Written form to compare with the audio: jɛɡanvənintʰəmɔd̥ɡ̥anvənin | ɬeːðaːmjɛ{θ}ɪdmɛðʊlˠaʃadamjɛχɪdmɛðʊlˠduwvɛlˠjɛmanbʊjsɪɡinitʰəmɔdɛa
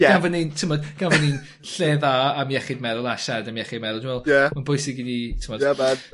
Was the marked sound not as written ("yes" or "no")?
yes